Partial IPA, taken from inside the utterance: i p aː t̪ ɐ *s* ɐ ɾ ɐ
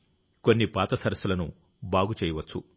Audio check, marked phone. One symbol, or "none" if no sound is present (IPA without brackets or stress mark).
s